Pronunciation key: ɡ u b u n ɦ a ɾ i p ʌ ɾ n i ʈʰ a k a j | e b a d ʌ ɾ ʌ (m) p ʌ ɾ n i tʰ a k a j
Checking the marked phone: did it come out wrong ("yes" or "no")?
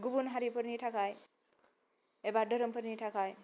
no